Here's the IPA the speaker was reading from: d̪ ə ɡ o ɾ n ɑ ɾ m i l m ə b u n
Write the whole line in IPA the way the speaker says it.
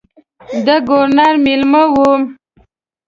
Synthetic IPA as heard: d̪ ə ɡ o ɾ n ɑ ɾ m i l m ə w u m